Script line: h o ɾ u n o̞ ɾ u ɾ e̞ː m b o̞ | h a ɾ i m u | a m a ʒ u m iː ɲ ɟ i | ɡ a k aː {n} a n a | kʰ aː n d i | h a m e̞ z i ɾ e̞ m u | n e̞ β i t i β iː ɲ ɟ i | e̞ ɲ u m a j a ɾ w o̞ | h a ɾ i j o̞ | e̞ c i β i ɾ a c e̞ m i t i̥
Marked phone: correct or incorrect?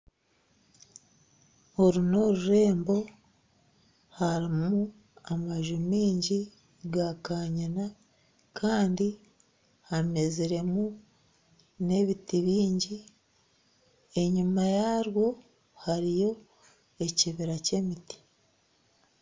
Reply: incorrect